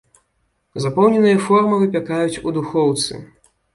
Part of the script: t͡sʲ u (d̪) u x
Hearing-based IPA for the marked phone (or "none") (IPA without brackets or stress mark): d̪